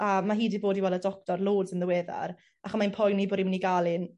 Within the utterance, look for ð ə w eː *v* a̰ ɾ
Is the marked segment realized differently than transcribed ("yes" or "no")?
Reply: yes